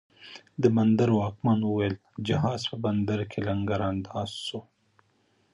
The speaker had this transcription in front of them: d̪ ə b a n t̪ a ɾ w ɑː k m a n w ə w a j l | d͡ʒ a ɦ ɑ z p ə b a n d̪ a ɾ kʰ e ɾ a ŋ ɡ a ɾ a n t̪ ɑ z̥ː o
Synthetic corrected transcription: d̪ ə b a n d̪ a ɾ w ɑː k m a n w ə w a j l | d͡ʒ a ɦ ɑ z p ə b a n d̪ a ɾ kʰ e l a ŋ ɡ a ɾ a n d̪ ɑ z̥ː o